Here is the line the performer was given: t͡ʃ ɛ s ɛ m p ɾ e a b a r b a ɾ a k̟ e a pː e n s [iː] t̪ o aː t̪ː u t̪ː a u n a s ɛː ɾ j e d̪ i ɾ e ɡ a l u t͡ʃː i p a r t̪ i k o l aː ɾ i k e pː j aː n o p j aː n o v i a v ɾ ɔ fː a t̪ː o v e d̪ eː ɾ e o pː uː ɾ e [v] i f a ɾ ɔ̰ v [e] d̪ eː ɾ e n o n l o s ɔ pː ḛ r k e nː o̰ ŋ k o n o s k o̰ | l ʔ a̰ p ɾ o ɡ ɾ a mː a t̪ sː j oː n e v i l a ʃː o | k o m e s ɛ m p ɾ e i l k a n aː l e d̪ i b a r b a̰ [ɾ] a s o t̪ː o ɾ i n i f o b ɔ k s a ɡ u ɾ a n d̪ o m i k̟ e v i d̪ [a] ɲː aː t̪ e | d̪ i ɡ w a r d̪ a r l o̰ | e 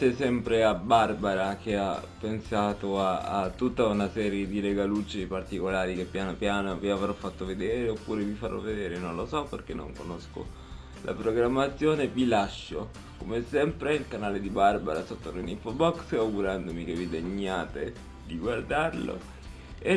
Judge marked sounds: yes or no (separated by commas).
no, yes, yes, yes, no